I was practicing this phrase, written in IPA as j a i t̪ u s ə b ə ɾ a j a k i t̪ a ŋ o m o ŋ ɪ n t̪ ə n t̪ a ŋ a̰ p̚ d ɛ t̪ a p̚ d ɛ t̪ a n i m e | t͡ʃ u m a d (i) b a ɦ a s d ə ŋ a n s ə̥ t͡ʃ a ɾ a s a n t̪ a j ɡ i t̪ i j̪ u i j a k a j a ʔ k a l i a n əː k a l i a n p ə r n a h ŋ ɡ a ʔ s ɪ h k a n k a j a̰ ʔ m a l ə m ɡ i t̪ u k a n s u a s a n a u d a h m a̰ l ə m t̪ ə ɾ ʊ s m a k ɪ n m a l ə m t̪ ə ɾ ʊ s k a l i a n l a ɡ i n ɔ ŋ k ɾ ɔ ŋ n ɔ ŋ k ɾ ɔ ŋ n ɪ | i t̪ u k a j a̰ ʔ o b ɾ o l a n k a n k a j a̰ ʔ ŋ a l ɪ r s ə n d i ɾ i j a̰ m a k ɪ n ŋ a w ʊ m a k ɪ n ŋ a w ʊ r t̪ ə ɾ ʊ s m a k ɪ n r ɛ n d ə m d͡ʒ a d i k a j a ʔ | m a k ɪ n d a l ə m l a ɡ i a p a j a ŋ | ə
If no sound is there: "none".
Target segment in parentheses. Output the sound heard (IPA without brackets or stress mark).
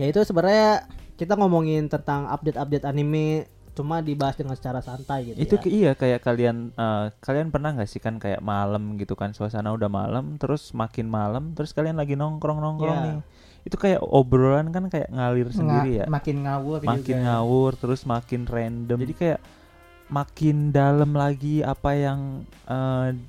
i